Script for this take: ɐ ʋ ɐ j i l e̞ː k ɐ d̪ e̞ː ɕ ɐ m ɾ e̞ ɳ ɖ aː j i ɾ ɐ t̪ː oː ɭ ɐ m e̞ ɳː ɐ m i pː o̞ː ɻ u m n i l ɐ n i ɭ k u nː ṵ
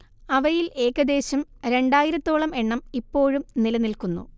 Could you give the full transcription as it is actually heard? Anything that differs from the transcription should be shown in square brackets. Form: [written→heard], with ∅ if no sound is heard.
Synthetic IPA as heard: ɐ ʋ ɐ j i l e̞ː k ɐ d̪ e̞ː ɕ ɐ m ɾ e̞ ɳ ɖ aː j i ɾ ɐ t̪ː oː ɭ ɐ m e̞ ɳː ɐ m i pː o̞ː ɻ u m n i l ɐ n i [ɭ→l] k u nː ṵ